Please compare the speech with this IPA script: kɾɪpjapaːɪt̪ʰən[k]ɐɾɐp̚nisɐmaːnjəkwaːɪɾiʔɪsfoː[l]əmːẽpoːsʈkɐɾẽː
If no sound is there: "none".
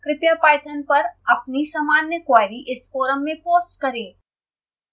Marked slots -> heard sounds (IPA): p, ɾ

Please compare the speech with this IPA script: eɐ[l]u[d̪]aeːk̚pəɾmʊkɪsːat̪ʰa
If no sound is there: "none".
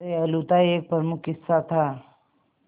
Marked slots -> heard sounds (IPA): l, t̪

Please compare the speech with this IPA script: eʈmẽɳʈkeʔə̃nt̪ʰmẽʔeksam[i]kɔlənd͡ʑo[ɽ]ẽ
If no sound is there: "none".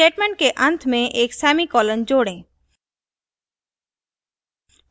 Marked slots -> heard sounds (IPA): i, ɽ

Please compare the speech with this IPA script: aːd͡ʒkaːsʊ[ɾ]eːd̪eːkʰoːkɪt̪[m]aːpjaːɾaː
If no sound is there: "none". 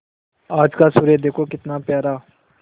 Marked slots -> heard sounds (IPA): ɾ, n

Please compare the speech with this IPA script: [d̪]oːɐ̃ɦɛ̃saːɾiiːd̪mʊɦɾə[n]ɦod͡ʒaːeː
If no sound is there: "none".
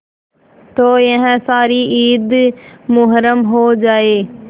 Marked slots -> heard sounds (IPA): t̪, m

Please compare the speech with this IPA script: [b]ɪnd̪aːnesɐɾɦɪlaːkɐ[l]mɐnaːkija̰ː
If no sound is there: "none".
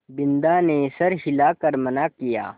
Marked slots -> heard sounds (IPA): b, ɾ

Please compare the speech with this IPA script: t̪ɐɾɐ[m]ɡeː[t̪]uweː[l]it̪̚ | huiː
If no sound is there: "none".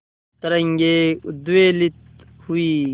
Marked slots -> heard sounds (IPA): ŋ, d̪, l

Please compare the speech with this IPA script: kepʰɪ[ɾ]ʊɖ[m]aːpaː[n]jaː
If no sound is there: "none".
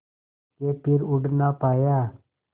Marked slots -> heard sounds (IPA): ɾ, n, none

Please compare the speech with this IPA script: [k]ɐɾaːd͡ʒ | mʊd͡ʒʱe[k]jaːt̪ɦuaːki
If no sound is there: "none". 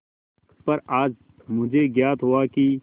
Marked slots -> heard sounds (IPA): p, ɡ

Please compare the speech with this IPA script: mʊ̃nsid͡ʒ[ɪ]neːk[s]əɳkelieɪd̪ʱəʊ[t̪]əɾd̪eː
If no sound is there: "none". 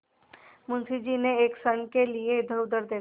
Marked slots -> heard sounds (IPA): i, s, d̪

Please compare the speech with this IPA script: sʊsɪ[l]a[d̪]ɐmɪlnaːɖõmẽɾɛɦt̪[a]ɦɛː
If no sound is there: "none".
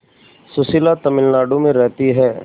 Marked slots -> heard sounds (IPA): l, t̪, i

